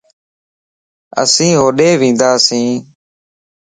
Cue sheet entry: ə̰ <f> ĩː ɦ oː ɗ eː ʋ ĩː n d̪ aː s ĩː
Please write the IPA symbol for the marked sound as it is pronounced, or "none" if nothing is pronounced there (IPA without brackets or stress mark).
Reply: s